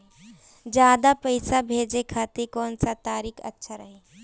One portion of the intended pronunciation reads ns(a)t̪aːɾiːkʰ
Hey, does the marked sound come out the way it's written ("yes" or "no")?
yes